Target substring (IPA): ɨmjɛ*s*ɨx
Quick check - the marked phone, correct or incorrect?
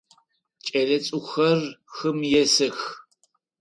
correct